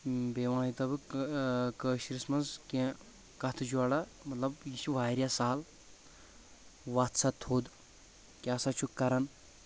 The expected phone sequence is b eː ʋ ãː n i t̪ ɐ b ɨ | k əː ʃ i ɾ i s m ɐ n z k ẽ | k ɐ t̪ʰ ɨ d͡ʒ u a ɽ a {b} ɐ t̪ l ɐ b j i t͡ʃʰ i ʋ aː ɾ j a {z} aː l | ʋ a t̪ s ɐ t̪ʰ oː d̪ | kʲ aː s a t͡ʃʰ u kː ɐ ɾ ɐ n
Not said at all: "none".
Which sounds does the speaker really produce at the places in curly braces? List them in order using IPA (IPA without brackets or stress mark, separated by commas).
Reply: m, s